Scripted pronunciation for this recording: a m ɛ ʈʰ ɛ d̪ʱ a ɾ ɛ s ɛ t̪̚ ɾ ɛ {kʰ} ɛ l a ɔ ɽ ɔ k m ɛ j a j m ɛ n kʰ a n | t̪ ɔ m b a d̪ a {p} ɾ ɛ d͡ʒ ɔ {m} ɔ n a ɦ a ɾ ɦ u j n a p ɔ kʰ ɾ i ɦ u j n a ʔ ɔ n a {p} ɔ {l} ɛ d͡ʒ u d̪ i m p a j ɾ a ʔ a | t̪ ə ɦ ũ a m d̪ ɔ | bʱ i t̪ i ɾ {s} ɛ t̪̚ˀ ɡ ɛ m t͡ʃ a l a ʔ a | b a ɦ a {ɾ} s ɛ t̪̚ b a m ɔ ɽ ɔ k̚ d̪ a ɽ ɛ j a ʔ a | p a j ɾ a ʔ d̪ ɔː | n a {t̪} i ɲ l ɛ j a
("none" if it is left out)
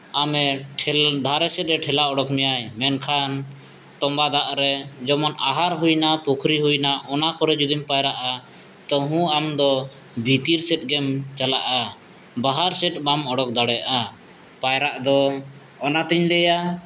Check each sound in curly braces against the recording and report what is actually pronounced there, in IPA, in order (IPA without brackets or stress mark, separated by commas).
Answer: ʈʰ, ʔ, m, k, ɾ, s, ɾ, t̪